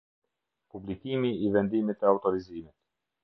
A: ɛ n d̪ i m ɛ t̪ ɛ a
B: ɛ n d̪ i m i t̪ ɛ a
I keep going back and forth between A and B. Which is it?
B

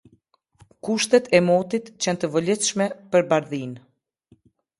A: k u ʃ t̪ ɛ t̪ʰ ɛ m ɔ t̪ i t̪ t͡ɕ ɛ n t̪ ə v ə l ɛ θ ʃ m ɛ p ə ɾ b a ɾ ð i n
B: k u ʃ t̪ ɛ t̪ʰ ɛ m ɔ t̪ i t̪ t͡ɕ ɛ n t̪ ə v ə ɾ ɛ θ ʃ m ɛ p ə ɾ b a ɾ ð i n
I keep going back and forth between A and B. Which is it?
A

